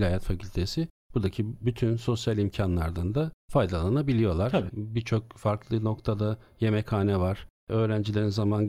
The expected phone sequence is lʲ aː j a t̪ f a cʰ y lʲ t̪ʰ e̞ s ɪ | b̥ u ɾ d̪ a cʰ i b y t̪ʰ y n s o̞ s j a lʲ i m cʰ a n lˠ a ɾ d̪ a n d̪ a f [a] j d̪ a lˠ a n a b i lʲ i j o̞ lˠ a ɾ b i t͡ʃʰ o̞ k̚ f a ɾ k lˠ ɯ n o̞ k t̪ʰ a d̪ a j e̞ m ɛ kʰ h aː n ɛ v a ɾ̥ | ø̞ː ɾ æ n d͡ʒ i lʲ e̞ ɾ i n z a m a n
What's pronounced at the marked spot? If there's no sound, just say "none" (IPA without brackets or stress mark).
a